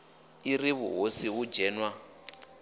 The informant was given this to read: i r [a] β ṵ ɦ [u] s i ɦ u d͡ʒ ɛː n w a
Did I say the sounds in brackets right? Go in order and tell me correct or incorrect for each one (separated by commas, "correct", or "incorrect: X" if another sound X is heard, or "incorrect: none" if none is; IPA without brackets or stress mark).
incorrect: i, incorrect: o